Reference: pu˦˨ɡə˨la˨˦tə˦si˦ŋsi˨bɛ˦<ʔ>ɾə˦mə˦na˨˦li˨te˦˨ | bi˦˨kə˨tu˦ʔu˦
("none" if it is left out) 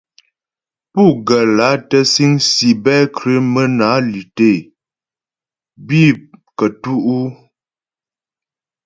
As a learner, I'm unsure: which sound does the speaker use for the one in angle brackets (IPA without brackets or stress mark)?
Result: k